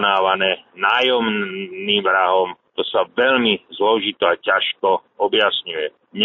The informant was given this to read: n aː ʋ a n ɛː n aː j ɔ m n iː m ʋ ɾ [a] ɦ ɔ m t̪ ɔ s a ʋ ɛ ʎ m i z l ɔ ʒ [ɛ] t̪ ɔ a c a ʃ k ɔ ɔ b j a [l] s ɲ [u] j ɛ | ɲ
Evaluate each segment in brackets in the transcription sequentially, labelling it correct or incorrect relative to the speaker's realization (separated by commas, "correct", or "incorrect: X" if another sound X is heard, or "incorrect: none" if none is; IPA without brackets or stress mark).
correct, incorrect: i, incorrect: none, correct